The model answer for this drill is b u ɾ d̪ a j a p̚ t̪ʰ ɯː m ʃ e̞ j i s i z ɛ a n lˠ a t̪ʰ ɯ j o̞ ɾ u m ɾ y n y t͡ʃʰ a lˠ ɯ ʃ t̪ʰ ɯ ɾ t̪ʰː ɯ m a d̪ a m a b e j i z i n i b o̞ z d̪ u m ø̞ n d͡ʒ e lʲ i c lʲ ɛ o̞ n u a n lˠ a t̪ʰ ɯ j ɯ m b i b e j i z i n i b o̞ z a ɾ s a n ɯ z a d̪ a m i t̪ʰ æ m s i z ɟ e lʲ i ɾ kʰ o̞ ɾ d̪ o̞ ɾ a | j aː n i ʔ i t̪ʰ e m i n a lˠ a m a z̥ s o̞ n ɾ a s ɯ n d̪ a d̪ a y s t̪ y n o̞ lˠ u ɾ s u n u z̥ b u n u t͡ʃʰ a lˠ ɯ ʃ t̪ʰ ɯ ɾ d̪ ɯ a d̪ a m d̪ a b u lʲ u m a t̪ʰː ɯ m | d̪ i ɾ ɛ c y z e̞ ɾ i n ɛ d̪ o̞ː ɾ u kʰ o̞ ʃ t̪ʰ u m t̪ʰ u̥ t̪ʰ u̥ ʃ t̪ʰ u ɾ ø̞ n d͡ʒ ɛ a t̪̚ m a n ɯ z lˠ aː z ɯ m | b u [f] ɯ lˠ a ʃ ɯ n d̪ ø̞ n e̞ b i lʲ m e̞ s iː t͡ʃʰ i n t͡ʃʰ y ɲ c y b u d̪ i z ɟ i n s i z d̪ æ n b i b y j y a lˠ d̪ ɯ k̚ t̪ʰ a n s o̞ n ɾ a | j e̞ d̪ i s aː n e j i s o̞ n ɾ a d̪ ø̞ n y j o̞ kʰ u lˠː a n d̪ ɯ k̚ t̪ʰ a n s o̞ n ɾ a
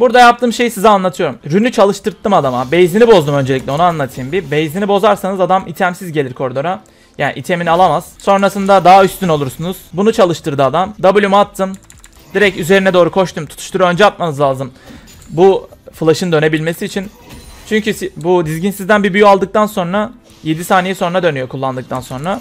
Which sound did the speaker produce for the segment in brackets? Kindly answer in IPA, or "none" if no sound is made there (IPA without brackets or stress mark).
f